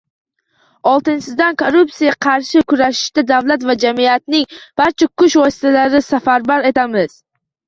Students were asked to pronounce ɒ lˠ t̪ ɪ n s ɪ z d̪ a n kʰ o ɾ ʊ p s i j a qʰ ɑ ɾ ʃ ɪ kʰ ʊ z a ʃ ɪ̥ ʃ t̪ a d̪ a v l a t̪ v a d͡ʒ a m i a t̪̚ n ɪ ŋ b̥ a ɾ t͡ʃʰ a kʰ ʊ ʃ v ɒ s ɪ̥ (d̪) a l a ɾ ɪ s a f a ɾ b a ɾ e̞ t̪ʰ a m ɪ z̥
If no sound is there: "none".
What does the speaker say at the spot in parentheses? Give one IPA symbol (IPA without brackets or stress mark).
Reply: t̪